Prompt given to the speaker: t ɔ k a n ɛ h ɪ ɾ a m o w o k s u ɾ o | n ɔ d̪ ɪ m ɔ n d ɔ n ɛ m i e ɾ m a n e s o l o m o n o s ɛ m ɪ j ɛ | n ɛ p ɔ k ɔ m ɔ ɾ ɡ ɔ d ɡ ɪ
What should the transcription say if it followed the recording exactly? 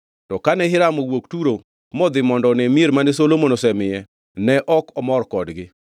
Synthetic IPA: t ɔ k a n ɛ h ɪ ɾ a m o w o k t u ɾ o | m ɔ d̪ ɪ m ɔ n d ɔ n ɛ m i e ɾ m a n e s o l o m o n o s ɛ m ɪ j ɛ | n ɛ ʔ ɔ k ɔ m ɔ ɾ k ɔ d ɡ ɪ